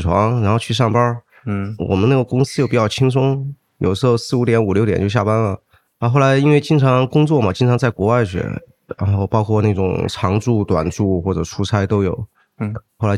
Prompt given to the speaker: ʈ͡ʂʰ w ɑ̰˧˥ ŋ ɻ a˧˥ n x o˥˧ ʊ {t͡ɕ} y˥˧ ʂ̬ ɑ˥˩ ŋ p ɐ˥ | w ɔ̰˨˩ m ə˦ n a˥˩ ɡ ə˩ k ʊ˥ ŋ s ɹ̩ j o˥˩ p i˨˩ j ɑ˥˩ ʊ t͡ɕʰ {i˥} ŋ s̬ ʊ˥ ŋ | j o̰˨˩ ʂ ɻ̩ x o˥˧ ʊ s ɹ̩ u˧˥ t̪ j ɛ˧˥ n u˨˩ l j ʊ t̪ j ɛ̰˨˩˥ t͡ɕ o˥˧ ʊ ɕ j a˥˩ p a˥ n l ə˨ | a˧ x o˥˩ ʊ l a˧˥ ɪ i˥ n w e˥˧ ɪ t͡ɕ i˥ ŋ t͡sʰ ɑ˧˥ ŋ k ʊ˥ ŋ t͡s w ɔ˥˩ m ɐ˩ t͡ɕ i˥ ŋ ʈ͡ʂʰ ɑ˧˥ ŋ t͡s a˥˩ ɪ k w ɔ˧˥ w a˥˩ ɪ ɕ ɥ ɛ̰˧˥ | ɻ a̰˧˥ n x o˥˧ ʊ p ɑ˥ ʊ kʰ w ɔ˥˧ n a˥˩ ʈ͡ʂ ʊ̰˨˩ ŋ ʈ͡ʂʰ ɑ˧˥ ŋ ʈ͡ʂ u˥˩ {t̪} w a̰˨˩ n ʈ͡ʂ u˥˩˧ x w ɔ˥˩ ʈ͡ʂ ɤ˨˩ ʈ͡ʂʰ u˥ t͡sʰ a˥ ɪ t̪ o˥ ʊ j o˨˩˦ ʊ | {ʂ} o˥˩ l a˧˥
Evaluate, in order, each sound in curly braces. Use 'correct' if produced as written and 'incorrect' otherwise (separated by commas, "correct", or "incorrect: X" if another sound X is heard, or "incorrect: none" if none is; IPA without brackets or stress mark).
incorrect: t͡ɕʰ, correct, correct, incorrect: x